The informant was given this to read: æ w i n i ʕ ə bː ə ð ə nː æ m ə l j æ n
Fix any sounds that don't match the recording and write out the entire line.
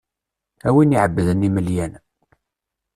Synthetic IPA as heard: æ w i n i ʕ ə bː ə ð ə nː i m ə l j æ n

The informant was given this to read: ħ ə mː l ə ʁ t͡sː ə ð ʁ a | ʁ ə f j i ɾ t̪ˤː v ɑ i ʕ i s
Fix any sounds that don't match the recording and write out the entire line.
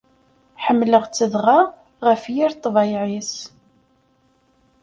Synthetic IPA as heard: ħ ə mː l ə ʁ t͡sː ə ð ʁ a | ʁ ə f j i ɾ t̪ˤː v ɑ j ʕ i s

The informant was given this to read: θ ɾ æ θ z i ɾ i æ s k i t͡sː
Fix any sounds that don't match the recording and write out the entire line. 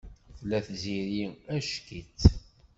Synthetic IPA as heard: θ l æ θ z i ɾ i æ ʃ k i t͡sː

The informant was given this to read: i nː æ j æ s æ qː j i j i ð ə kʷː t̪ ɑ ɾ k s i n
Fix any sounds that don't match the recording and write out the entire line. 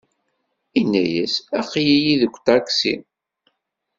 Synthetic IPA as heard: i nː æ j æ s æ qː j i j i ð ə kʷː t̪ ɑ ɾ k s i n

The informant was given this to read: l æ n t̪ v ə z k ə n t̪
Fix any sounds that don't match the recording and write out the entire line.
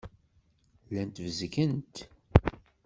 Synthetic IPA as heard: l æ n t̪ v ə z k ə n t̪

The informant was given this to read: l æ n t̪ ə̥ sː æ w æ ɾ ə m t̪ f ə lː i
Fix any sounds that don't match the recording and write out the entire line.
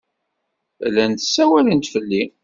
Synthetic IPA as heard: l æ n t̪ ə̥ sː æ w æ l ə n t̪ f ə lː i

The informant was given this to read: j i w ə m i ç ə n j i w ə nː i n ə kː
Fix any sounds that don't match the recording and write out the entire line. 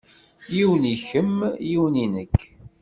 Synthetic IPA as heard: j i w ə n i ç ə m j i w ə n i n ə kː

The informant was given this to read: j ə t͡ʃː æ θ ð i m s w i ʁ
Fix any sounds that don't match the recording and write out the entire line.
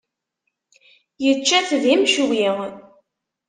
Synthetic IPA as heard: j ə t͡ʃː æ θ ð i m ʃ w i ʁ

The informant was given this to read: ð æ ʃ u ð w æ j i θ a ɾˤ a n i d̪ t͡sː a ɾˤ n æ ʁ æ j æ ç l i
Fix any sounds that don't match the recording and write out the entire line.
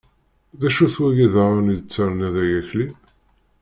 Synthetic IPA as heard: ð æ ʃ u θ w æ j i ð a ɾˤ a n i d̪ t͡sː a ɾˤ n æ ð æ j æ ç l i

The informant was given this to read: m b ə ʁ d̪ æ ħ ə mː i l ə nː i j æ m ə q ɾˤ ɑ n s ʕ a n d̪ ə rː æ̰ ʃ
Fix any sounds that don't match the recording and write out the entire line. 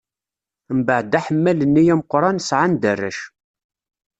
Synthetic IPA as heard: m b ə ʕ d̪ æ ħ ə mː æ l ə nː i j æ m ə q ɾˤ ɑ n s ʕ a n d̪ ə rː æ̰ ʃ

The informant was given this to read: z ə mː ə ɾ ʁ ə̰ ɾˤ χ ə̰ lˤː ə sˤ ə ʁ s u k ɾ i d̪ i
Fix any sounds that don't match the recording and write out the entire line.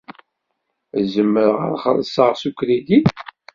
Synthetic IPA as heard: z ə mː ə ɾ ʁ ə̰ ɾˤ χ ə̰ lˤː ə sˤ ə ʁ s u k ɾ i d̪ i

